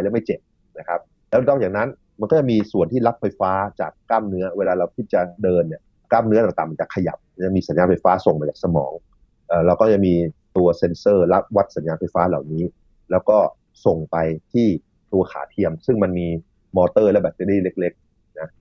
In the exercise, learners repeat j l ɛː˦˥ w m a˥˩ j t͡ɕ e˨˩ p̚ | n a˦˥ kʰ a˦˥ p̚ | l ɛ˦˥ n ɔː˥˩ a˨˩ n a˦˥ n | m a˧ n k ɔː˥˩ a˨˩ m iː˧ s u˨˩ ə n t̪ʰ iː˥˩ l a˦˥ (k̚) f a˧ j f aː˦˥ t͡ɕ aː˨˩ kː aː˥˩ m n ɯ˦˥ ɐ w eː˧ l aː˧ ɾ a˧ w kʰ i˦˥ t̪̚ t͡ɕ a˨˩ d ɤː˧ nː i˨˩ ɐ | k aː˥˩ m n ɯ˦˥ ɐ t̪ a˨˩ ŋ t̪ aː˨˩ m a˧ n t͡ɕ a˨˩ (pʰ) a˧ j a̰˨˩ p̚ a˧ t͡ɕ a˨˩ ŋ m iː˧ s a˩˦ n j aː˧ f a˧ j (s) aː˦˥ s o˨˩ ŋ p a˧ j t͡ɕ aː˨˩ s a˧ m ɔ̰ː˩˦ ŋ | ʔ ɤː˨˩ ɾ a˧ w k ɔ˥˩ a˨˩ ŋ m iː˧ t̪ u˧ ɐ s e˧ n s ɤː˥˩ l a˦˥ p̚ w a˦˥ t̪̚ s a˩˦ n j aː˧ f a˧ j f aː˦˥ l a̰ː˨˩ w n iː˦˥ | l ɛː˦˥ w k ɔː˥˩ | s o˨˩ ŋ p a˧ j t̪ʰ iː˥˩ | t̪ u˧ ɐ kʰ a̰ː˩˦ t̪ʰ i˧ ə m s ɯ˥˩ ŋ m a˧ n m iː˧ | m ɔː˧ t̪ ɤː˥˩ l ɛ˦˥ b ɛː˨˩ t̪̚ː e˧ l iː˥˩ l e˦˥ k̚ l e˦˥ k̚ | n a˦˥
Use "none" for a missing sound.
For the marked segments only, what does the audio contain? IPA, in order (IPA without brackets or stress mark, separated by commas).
p̚, kʰ, f